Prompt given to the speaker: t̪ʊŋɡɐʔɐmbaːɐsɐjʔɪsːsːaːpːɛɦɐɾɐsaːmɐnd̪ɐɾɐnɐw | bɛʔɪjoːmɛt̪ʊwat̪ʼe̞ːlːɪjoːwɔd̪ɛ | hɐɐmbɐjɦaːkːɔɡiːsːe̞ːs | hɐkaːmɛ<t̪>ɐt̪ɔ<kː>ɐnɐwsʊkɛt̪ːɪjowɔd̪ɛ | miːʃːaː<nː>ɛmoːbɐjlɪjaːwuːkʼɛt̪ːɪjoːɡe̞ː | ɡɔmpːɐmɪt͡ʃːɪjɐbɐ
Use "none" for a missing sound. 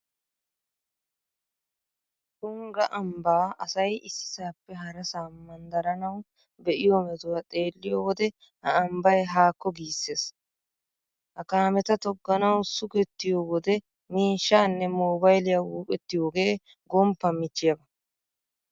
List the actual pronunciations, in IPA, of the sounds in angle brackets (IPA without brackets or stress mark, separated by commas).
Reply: t̪, ɡː, nː